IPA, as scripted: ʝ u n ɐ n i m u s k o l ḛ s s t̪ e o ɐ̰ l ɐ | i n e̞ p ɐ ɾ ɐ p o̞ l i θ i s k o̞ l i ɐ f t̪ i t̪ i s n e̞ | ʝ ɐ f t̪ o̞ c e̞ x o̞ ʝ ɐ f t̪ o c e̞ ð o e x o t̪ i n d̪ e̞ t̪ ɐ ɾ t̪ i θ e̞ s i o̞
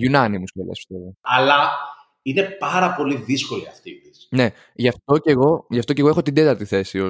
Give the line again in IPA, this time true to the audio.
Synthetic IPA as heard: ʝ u n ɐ n i m u s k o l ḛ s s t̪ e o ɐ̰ l ɐ | i n e̞ p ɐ ɾ ɐ p o̞ l i ð i s k o̞ l i ɐ f t̪ i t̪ i s n e̞ | ʝ ɐ f t̪ o̞ c e̞ ɣ o̞ ʝ ɐ f t̪ o c e̞ ɣ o e x o t̪ i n d̪ e̞ t̪ ɐ ɾ t̪ i θ e̞ s i o̞